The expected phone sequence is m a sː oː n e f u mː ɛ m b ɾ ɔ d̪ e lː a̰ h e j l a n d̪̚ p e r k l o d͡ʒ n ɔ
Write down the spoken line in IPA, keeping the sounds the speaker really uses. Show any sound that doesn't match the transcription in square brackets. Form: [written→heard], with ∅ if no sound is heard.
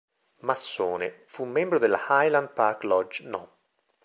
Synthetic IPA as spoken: m a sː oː n e f u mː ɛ m b ɾ [ɔ→o] d̪ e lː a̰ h [e→a] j l a n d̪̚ p [e→a] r k l [o→ɔ] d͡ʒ n ɔ